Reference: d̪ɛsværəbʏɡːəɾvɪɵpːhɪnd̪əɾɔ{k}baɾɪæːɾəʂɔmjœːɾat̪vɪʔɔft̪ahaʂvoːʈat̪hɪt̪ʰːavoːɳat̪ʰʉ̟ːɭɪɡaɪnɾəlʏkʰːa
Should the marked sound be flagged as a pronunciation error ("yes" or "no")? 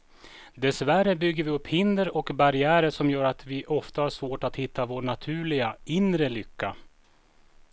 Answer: no